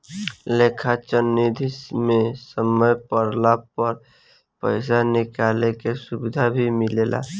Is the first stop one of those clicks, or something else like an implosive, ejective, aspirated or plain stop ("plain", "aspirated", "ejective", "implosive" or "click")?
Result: aspirated